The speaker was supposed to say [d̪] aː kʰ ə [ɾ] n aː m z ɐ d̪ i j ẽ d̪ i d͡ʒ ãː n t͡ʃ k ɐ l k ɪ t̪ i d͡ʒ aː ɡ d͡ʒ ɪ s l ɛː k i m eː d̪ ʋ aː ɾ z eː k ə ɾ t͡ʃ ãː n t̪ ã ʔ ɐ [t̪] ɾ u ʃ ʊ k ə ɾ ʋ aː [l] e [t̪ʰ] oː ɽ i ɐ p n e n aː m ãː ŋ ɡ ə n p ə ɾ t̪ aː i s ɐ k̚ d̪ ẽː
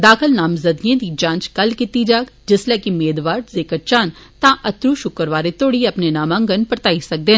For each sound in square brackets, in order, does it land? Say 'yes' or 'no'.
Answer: yes, no, yes, no, no

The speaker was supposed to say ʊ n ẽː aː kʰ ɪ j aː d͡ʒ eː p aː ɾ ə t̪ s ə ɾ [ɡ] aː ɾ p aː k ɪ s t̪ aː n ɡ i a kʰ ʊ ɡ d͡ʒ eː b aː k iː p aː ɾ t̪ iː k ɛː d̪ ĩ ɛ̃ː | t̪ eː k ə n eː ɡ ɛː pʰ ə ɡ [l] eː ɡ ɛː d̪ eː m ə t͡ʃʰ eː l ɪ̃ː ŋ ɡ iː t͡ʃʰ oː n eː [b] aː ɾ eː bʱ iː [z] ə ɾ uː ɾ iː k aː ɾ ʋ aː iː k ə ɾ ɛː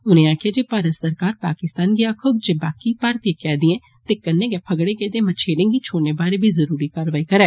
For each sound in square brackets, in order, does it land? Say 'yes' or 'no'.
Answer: no, no, yes, yes

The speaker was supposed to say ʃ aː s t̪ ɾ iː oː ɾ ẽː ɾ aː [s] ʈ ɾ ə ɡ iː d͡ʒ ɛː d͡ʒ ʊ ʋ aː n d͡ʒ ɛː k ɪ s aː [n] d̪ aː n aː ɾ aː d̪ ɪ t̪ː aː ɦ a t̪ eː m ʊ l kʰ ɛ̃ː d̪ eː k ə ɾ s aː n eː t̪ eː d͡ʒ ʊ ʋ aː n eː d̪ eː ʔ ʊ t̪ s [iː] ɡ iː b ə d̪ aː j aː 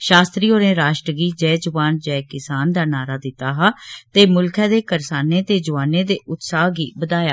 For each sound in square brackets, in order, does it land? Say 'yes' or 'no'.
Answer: no, yes, no

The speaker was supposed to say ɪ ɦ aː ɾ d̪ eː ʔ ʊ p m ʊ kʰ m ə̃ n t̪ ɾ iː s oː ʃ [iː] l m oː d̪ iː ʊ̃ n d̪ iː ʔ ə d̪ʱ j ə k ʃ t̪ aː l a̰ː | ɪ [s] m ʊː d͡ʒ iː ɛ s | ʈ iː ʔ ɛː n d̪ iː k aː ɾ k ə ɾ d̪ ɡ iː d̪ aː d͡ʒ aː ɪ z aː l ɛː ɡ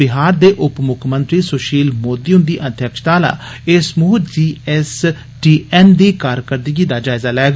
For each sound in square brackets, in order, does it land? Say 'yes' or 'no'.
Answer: yes, yes

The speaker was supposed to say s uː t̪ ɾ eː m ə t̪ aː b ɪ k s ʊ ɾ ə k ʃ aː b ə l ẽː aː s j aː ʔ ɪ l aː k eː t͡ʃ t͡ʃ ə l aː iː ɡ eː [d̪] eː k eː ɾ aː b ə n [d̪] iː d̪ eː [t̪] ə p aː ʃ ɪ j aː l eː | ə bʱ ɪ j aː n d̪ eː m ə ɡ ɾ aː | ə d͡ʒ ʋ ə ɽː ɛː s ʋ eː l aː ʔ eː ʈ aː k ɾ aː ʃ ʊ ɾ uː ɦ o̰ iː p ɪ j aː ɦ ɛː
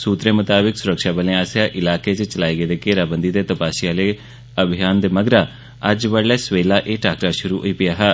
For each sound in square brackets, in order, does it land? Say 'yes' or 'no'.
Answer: yes, yes, yes

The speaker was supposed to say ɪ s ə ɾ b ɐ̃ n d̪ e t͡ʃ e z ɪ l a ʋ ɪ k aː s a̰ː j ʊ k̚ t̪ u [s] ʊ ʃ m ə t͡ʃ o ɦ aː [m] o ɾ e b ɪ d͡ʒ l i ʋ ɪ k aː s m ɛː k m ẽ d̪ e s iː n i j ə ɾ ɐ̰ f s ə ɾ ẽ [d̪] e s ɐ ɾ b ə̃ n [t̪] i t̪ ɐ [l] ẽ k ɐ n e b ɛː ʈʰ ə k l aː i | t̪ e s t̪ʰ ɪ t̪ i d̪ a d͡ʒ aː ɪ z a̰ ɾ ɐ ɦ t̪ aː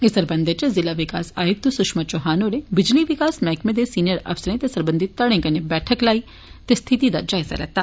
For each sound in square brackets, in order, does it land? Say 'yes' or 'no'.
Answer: yes, no, no, no, no

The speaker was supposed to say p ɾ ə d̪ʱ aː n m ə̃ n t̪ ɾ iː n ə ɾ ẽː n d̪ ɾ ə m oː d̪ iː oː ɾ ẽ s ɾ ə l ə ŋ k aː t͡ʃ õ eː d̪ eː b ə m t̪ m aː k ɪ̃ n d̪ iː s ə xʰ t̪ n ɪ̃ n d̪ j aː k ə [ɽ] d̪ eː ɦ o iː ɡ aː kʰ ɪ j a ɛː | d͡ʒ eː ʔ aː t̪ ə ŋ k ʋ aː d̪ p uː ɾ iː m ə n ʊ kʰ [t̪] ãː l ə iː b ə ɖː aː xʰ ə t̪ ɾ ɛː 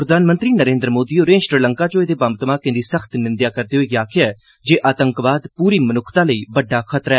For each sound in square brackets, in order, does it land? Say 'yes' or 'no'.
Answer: no, yes

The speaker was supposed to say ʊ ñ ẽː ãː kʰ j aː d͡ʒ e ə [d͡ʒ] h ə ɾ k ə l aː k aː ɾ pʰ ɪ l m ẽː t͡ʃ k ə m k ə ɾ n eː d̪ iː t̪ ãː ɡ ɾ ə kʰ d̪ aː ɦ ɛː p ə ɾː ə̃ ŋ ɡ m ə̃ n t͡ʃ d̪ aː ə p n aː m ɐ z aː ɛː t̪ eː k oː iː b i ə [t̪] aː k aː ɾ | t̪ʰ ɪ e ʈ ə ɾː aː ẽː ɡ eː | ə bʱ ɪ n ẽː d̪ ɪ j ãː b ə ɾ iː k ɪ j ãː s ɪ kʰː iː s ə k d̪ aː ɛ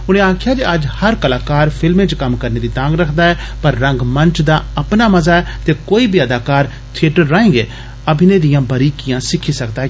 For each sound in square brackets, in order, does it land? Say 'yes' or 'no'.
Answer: yes, no

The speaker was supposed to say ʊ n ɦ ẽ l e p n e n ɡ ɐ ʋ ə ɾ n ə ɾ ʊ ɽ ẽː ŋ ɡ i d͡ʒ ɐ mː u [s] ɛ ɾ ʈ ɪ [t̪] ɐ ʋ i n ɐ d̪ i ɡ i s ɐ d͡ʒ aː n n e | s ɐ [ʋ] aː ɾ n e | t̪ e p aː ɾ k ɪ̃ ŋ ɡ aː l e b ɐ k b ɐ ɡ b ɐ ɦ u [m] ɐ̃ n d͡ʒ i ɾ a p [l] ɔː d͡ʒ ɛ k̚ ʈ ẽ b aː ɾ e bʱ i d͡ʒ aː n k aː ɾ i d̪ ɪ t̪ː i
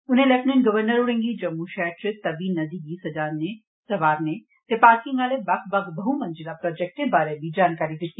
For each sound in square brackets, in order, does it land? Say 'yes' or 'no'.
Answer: no, yes, yes, yes, no

